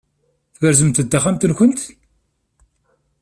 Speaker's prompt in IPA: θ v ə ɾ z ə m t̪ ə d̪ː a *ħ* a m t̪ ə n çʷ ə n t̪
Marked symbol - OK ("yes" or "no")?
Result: no